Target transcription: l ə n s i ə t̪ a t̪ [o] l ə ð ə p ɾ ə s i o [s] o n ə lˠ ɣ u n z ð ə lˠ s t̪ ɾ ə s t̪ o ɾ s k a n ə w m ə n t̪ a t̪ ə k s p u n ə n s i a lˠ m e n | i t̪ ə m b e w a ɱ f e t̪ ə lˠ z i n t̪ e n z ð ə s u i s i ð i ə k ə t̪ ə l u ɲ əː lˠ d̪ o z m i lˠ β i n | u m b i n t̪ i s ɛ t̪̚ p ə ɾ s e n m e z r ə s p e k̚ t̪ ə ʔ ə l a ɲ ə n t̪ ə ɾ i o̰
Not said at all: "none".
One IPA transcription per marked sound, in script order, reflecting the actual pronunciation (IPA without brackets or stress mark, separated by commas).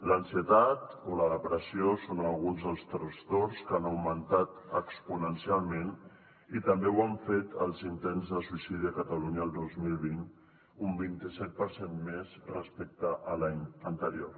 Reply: o, s